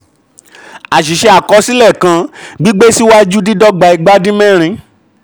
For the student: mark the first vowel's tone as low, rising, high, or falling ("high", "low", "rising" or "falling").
low